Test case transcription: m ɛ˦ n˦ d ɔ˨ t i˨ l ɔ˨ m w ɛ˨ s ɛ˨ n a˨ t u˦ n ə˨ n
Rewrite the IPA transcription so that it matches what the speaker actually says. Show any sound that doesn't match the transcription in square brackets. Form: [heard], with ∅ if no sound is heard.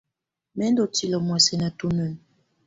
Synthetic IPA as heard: m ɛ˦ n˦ d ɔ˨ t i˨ l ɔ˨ m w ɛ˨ s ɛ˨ n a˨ t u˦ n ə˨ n